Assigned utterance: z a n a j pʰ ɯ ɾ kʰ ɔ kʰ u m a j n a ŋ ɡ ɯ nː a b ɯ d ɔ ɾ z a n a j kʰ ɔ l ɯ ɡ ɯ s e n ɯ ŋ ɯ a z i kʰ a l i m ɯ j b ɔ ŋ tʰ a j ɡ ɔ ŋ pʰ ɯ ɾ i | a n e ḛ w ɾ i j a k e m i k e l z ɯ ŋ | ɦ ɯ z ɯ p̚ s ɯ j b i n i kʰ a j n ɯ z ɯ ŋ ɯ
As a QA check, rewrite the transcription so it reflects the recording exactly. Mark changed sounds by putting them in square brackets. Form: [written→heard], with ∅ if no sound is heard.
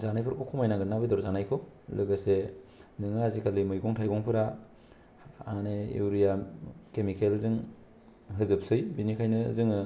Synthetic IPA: z a n a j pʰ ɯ ɾ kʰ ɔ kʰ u m a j n a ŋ ɡ ɯ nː a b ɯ d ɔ ɾ z a n a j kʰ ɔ l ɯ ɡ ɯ s e n ɯ ŋ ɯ a z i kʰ a l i m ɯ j [b→ɡ] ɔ ŋ tʰ a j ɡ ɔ ŋ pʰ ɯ ɾ [i→a] | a n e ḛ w ɾ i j a k e m i k e l z ɯ ŋ | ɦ ɯ z ɯ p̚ s ɯ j b i n i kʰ a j n ɯ z ɯ ŋ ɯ